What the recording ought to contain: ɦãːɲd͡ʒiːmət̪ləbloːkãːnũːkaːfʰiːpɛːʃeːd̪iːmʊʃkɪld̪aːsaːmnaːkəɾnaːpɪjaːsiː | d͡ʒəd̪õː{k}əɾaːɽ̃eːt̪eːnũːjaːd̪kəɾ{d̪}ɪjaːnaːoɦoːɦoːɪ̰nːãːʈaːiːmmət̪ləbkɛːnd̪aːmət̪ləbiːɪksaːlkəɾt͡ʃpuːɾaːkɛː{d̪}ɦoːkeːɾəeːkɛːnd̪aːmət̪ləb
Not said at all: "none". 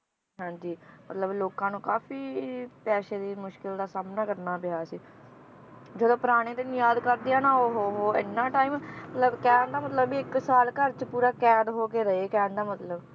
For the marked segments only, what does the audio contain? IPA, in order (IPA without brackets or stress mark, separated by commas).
p, d̪, d̪